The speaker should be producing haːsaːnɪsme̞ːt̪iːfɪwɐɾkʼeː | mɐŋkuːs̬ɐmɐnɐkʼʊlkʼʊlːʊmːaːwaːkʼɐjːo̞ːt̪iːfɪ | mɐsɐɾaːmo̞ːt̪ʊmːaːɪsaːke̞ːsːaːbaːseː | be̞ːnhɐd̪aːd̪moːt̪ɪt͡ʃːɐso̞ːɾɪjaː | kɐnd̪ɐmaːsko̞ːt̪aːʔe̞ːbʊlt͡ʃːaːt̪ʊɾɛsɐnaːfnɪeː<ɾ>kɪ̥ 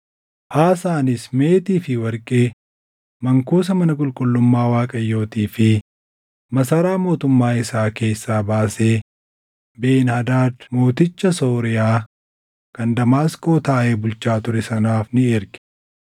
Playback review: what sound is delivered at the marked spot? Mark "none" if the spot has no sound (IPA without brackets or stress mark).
ɾ